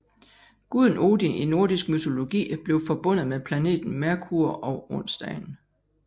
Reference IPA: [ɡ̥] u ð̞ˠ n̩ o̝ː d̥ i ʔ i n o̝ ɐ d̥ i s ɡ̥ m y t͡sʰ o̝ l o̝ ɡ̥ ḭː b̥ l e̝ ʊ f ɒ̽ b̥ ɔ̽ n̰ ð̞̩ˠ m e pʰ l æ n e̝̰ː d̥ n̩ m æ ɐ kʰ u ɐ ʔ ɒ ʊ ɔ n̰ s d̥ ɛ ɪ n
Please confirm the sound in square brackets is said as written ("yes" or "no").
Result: yes